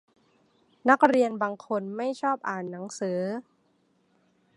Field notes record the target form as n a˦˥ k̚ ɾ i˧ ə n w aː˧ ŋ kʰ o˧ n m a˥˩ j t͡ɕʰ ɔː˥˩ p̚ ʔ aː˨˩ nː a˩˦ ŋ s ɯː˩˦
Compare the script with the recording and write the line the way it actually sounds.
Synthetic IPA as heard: n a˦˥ k̚ ɾ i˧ ə n b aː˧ ŋ kʰ o˧ n m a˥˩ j t͡ɕʰ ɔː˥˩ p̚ ʔ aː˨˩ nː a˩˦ ŋ s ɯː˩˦